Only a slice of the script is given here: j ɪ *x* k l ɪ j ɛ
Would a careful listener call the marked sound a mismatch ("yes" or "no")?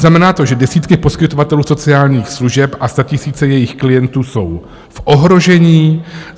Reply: no